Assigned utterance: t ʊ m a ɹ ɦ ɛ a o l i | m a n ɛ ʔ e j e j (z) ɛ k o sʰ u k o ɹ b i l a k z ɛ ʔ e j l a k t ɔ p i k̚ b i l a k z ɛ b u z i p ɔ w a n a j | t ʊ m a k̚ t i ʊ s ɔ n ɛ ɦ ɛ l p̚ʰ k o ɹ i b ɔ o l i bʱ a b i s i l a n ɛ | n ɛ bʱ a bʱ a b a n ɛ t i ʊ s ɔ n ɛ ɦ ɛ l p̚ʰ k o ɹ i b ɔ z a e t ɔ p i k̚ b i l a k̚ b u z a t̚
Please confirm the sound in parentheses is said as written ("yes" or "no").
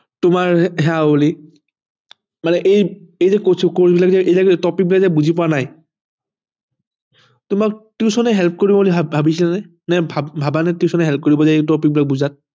yes